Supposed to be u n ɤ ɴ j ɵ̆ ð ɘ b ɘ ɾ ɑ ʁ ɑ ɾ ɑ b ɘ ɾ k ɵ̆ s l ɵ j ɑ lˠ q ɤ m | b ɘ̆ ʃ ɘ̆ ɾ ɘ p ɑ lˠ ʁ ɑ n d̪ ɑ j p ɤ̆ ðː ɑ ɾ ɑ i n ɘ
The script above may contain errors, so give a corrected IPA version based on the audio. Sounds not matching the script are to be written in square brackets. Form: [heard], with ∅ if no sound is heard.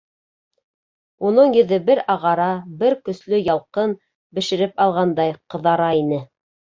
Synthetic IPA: u n ɤ ɴ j ɵ̆ ð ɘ b ɘ ɾ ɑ ʁ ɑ ɾ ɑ b ɘ ɾ k ɵ̆ s l ɵ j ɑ lˠ q ɤ [n] | b ɘ̆ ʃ ɘ̆ ɾ ɘ p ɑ lˠ ʁ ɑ n d̪ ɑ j [q] ɤ̆ [ð] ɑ ɾ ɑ i n ɘ